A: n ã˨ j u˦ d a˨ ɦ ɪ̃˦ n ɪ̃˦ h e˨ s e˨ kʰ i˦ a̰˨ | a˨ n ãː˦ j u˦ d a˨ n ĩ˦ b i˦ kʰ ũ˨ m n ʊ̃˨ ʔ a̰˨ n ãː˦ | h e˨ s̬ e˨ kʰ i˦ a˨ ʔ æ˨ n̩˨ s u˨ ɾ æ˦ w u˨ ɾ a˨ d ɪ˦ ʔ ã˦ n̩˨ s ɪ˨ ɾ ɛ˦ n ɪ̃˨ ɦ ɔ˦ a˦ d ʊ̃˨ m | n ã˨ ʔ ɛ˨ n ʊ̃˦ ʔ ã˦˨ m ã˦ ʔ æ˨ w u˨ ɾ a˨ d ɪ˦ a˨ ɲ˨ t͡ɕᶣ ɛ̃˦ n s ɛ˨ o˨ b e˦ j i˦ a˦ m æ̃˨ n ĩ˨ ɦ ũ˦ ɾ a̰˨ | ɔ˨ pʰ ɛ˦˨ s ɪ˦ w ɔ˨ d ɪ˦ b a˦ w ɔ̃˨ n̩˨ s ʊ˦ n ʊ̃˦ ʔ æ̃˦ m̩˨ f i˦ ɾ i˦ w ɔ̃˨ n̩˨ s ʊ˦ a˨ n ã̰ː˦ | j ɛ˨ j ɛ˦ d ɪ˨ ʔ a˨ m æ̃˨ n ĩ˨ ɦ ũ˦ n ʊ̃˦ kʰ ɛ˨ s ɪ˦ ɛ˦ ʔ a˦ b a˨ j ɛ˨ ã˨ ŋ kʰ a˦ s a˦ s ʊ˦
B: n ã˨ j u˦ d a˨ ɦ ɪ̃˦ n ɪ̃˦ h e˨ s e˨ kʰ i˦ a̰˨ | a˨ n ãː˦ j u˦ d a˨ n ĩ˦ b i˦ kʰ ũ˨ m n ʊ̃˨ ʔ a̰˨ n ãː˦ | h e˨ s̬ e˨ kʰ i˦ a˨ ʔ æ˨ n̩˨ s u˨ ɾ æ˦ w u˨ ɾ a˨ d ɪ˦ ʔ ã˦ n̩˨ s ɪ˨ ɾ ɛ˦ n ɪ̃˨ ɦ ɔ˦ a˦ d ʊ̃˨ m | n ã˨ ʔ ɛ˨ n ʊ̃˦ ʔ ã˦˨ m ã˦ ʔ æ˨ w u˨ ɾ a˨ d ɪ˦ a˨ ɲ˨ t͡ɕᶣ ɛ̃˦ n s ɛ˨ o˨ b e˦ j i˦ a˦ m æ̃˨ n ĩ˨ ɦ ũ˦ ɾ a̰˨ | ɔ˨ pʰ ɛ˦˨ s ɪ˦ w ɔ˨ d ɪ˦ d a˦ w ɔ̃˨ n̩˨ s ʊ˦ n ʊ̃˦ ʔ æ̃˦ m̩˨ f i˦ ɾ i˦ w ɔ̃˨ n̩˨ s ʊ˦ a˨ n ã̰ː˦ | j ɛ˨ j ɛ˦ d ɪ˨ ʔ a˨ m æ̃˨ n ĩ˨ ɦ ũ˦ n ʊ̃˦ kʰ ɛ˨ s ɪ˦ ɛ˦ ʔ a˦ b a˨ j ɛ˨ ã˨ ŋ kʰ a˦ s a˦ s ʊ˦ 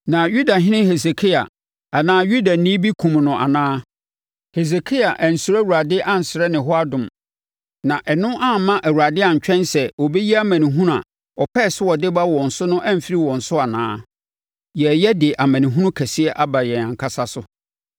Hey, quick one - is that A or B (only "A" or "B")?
A